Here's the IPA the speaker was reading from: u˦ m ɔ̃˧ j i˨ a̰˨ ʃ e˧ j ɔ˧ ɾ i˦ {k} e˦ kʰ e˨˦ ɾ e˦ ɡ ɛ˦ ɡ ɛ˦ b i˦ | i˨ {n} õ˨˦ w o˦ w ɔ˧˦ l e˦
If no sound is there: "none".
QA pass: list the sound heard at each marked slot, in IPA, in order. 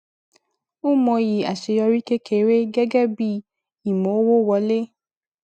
k, m

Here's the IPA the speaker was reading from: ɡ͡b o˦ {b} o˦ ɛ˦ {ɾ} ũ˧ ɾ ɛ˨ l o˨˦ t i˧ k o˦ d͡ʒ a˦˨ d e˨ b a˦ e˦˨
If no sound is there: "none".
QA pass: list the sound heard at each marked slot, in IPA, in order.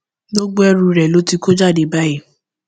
ɡ͡b, ɾ

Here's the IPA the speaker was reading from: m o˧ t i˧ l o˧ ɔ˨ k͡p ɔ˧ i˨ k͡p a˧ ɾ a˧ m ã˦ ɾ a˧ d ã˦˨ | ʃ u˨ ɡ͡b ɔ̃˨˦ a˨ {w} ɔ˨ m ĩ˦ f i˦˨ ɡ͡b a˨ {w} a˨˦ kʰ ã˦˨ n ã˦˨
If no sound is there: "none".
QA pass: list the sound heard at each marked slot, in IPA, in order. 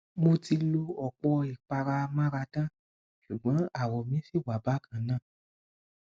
w, b

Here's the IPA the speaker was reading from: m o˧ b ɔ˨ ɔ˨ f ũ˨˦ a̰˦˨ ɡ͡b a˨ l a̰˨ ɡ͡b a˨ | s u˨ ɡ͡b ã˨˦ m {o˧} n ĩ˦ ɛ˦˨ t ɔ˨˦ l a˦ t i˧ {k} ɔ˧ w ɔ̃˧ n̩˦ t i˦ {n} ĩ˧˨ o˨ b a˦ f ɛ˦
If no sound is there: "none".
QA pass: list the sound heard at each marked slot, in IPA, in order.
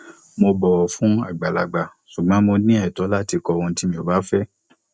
o˧, k, m

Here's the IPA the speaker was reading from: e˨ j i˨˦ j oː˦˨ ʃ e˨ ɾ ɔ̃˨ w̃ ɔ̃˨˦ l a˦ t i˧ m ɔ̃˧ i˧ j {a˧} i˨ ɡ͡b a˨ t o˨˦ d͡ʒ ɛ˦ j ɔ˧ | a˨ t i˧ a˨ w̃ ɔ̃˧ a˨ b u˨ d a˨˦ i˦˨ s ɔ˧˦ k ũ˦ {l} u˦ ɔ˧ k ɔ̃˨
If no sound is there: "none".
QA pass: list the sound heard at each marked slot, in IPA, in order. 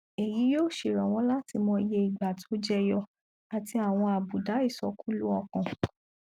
e˧, l

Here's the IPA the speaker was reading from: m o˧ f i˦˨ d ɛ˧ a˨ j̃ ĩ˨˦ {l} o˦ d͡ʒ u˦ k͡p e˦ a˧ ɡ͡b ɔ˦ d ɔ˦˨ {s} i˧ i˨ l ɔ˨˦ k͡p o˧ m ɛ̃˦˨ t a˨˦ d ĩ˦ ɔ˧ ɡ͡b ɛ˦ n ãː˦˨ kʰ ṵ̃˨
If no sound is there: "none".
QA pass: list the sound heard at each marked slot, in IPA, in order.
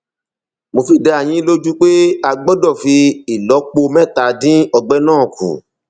l, f

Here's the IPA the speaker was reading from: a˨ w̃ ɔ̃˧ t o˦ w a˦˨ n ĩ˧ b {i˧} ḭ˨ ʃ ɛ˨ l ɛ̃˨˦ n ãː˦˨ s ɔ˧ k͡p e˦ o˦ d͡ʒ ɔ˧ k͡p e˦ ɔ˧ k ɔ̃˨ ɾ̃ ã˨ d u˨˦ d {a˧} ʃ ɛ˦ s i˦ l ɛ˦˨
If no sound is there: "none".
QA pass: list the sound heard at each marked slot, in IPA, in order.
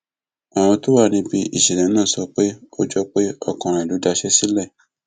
i˧, a˧

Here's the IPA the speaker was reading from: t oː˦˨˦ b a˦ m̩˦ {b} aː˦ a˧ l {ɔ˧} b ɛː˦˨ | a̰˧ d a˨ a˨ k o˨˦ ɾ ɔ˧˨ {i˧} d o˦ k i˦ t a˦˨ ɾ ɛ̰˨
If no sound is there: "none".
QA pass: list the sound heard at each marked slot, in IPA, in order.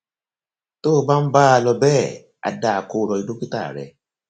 b, ɔ˧, i˧

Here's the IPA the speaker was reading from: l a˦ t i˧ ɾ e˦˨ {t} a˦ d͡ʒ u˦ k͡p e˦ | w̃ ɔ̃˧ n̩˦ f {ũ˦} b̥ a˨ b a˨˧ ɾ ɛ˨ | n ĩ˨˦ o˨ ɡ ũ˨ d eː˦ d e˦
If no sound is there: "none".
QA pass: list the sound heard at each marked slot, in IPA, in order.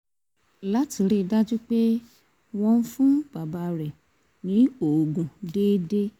d, ũ˦

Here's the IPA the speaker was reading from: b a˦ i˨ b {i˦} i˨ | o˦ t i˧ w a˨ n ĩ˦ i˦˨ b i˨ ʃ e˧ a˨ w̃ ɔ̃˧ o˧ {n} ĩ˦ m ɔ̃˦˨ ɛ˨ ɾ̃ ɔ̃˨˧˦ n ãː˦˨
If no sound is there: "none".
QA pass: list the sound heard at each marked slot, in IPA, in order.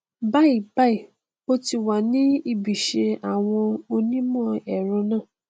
a˦, n

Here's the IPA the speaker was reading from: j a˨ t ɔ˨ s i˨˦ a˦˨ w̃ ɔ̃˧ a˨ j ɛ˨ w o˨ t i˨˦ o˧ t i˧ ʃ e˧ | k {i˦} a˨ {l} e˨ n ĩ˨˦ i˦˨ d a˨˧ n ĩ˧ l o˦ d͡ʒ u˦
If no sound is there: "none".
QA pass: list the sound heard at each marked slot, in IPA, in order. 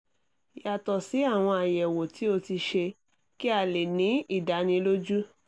i˦, l

